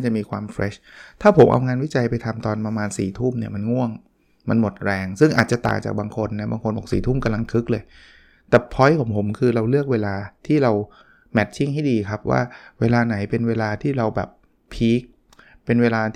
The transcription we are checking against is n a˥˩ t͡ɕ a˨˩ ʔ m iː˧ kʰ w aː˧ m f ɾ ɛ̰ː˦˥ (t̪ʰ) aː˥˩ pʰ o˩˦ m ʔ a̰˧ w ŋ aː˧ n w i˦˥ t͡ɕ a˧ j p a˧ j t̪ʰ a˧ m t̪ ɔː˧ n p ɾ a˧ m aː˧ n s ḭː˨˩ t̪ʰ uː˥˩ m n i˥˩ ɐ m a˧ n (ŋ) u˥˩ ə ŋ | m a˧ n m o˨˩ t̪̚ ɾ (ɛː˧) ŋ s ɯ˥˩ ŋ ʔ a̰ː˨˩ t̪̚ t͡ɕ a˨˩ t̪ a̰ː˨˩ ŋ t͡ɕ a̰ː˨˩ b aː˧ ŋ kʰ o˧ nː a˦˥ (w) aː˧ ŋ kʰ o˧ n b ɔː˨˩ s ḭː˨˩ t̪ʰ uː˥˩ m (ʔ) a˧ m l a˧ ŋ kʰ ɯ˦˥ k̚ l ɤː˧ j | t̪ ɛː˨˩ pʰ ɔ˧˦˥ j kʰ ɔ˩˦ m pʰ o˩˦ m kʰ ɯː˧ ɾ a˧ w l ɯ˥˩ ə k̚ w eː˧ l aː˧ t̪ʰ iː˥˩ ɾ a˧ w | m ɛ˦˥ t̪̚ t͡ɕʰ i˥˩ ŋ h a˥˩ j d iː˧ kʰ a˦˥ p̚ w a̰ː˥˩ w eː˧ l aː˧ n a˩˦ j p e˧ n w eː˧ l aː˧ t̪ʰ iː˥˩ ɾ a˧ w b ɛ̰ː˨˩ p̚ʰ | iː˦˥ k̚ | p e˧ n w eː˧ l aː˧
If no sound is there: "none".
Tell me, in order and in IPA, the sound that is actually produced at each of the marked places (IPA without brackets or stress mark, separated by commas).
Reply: t̪ʰ, ŋ, ɛː˧, b, k